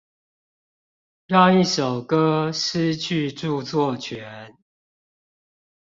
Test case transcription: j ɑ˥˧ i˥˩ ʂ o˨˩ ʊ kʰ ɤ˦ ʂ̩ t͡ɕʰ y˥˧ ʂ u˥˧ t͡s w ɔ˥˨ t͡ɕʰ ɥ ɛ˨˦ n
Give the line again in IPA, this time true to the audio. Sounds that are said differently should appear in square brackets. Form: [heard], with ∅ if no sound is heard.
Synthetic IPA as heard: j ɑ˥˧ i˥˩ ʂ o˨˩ ʊ [k] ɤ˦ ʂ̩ t͡ɕʰ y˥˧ [ʈ͡ʂ] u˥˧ t͡s w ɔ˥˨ t͡ɕʰ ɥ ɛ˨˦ n